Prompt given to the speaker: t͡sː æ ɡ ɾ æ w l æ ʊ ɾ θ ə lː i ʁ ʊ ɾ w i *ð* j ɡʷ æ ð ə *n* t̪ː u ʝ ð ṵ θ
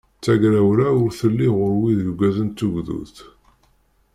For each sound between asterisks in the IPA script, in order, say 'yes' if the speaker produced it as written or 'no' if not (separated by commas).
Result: yes, yes